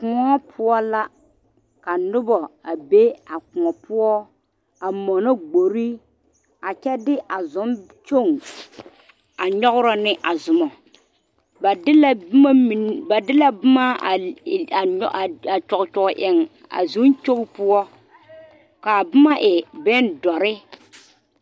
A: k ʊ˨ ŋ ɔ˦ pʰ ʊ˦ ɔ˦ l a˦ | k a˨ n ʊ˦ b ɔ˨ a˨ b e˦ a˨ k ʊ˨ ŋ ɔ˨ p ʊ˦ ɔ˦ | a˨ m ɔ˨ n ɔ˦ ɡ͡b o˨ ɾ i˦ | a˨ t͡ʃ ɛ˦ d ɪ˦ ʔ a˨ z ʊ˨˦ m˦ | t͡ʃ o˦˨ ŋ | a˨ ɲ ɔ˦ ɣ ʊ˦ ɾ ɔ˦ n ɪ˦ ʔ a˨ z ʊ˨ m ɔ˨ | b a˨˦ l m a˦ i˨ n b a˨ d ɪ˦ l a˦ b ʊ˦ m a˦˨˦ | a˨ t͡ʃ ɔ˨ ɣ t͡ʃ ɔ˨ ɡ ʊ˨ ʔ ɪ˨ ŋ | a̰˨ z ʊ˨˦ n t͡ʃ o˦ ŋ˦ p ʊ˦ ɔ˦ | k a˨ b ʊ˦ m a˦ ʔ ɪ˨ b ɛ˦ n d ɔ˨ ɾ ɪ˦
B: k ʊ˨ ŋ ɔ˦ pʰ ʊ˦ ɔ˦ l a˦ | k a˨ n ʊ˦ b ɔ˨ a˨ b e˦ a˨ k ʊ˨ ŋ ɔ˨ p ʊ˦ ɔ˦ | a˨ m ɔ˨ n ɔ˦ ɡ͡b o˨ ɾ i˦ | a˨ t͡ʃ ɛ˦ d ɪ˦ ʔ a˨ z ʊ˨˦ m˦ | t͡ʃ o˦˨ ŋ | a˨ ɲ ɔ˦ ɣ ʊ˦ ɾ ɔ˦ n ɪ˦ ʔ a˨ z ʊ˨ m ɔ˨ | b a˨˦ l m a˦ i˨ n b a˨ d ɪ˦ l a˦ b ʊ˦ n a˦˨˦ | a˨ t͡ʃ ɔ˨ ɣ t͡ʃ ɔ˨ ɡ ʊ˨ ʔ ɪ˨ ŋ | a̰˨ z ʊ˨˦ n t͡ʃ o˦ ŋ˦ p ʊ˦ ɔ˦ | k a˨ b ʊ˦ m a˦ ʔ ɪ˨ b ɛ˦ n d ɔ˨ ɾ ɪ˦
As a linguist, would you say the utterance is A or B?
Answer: A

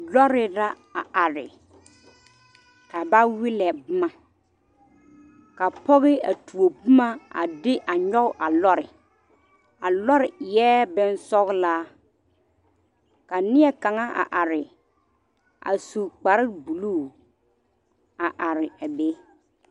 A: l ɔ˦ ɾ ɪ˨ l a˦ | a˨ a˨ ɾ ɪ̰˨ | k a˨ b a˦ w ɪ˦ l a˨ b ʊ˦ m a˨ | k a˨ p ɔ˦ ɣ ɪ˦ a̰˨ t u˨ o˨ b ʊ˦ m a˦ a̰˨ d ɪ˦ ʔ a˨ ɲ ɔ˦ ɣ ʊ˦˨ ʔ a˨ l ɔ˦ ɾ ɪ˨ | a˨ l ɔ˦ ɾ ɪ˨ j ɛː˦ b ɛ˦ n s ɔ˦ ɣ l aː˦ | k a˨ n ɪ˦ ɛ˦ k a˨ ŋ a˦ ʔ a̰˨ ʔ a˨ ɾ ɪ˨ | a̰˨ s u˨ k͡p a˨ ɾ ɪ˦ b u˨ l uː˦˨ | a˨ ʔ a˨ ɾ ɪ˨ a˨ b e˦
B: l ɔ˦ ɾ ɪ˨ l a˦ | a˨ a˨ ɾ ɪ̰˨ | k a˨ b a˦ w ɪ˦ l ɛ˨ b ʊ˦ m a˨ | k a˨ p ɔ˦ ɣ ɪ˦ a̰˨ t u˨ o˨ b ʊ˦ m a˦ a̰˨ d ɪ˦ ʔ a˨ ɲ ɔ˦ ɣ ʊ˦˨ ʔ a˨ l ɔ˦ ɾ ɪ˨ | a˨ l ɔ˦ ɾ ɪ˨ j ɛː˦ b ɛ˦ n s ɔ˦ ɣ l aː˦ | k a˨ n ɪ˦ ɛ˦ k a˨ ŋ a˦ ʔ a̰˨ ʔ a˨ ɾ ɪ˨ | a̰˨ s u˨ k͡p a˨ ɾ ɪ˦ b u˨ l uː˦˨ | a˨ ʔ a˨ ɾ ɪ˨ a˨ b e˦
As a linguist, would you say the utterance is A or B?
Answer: B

